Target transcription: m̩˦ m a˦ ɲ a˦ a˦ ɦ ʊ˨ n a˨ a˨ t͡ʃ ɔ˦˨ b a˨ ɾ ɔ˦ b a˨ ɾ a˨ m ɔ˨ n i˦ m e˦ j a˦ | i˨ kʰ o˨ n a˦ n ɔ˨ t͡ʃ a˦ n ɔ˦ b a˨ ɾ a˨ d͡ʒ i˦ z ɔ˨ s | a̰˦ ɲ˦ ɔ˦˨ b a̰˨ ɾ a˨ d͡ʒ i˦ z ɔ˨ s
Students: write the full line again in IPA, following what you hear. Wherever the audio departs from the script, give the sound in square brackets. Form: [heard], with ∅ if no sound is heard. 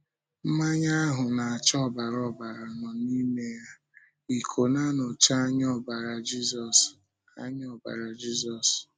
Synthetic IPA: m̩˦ m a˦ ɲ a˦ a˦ ɦ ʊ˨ n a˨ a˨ t͡ʃ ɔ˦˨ b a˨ ɾ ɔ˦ b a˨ ɾ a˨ [n] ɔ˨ n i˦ m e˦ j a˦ | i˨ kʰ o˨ n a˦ n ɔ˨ t͡ʃ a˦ [ɲ] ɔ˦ b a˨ ɾ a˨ d͡ʒ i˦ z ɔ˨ s | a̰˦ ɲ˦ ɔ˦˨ b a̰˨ ɾ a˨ d͡ʒ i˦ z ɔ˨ s